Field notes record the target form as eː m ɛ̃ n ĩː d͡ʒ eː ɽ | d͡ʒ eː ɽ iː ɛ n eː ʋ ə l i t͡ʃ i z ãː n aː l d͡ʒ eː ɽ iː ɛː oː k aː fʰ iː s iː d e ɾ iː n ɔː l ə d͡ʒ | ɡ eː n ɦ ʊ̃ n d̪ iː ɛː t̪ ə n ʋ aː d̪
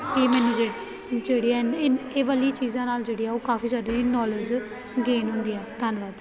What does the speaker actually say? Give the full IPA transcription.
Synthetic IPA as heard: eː m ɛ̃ n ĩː d͡ʒ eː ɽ | d͡ʒ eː ɽ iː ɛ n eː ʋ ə l i t͡ʃ iː z ãː n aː l d͡ʒ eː ɽ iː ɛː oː k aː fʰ iː s aː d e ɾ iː n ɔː l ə d͡ʒ | ɡ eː n ɦ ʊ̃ n d̪ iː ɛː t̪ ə n ʋ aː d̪